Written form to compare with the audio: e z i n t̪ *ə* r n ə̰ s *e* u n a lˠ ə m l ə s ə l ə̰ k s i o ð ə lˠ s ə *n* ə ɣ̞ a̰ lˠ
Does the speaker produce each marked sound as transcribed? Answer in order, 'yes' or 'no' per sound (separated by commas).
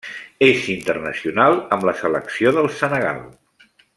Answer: yes, no, yes